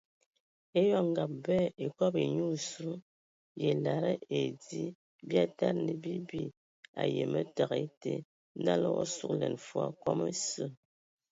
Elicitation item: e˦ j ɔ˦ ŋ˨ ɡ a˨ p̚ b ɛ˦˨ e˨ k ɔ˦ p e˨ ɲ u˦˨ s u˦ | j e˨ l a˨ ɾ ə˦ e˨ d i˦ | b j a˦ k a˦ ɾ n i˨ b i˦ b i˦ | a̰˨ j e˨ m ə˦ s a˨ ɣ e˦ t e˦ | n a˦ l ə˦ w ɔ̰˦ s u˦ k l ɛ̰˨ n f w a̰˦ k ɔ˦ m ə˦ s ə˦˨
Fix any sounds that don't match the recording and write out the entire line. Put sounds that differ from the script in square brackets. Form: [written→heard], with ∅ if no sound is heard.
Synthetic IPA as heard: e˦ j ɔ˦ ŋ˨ ɡ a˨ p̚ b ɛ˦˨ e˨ k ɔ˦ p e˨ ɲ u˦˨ s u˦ | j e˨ l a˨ ɾ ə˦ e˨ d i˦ | b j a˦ [k→t] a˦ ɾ n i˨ b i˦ b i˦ | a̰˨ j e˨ m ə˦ [s→t] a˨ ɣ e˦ t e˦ | n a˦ l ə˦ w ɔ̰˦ s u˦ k l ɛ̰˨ n f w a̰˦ k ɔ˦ m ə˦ s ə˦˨